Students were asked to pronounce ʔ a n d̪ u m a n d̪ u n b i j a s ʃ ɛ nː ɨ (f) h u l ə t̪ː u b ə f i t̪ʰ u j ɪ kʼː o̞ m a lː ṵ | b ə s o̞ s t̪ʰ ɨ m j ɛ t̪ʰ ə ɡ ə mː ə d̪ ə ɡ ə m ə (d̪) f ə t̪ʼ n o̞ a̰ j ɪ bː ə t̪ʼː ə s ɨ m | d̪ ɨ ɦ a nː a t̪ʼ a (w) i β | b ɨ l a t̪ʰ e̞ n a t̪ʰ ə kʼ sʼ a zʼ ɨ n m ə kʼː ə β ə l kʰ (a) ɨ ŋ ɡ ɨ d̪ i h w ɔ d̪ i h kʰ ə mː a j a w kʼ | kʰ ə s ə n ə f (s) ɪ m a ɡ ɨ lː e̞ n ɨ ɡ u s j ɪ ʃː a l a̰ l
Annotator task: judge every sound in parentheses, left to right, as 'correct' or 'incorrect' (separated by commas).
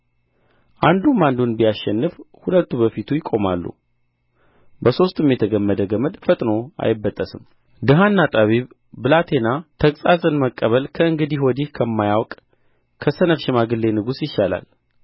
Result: correct, correct, incorrect, incorrect, incorrect